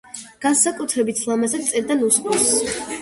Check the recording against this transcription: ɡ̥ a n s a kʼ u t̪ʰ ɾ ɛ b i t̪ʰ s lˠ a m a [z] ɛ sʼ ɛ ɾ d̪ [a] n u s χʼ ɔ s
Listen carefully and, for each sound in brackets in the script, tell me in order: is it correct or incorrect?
correct, correct

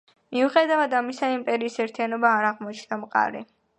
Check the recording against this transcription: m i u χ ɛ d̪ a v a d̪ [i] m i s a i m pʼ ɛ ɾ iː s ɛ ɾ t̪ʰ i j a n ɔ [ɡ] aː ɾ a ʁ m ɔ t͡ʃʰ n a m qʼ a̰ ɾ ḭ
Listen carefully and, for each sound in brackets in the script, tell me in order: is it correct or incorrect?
incorrect, incorrect

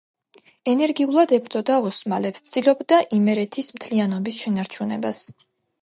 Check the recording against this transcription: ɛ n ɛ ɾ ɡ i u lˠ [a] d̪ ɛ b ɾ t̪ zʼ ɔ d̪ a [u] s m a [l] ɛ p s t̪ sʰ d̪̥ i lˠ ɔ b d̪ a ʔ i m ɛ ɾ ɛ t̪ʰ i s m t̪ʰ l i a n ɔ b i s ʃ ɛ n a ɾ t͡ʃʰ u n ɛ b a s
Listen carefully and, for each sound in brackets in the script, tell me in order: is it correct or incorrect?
correct, incorrect, correct

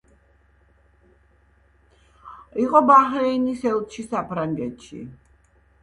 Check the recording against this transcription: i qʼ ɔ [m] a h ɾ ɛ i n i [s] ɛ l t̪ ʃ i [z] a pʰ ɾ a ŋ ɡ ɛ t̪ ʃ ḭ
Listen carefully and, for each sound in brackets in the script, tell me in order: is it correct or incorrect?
incorrect, correct, incorrect

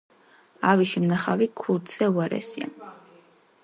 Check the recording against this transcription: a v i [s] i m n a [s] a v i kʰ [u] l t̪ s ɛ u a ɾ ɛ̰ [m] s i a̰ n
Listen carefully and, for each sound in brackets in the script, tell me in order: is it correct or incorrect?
incorrect, incorrect, correct, incorrect

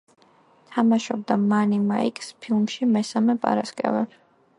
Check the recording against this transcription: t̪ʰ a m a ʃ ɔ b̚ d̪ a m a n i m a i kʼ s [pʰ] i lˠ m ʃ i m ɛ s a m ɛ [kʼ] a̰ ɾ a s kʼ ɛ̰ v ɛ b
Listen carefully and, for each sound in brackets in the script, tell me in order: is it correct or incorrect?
correct, incorrect

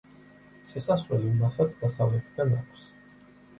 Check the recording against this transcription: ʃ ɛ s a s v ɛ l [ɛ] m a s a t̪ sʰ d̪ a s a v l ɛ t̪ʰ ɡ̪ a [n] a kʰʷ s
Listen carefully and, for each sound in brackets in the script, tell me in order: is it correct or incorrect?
incorrect, correct

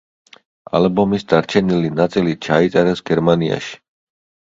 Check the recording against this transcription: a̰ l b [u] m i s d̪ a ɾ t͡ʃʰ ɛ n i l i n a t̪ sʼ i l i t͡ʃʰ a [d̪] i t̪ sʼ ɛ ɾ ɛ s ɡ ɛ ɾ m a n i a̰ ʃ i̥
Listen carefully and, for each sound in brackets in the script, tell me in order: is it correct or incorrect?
incorrect, incorrect

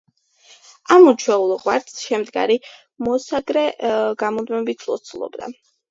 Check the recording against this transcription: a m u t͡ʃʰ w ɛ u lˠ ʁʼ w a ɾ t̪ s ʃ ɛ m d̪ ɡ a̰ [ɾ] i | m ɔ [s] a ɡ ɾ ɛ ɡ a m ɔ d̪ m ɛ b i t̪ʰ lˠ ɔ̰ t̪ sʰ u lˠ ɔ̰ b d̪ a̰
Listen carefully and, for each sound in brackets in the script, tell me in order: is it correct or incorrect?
correct, correct

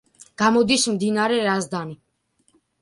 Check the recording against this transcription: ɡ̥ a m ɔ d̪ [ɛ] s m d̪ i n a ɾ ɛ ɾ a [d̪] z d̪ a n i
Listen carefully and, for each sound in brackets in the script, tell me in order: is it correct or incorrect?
incorrect, incorrect

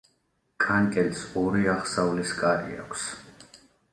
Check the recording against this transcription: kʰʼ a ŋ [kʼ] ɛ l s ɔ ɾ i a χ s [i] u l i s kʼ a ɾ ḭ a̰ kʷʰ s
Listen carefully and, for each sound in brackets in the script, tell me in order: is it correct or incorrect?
correct, incorrect

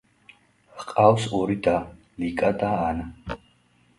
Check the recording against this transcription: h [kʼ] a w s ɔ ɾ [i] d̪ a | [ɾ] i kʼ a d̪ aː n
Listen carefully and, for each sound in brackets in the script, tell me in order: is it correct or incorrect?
incorrect, correct, incorrect

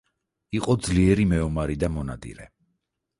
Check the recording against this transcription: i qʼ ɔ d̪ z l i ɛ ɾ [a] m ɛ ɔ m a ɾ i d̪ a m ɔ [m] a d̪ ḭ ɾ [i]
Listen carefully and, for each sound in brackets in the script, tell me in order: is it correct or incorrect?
incorrect, incorrect, incorrect

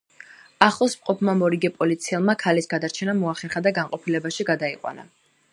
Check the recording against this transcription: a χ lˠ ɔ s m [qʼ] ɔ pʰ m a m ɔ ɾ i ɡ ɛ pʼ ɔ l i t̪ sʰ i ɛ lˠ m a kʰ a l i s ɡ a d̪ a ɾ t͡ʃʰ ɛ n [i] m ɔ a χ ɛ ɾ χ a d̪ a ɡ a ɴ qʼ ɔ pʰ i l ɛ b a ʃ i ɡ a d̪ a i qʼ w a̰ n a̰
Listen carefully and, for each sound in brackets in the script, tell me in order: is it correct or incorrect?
correct, incorrect

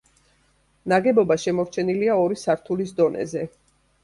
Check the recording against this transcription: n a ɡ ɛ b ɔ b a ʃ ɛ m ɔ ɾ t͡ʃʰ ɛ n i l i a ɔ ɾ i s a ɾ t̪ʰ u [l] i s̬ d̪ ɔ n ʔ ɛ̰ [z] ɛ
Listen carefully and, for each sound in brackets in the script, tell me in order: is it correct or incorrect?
correct, correct

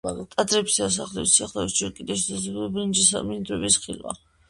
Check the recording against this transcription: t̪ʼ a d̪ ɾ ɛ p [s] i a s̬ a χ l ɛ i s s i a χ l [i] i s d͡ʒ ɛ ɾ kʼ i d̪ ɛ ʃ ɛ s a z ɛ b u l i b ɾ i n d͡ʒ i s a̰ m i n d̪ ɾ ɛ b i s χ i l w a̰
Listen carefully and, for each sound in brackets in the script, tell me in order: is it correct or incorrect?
correct, incorrect

